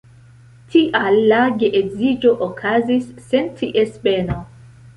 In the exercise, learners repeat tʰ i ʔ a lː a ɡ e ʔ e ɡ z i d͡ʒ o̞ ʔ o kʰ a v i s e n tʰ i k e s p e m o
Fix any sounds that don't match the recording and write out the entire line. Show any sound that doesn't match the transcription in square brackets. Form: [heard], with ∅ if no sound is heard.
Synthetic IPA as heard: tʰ i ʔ a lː a ɡ e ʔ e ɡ z i d͡ʒ o̞ ʔ o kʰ a [z] i [sː] e n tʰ i [ʔ] e s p e [n] o